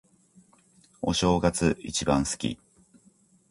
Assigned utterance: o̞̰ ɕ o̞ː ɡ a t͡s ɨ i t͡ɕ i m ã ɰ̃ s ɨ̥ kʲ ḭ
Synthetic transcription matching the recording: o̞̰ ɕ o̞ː ɡ a t͡s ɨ i t͡ɕ i b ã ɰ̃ s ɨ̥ kʲ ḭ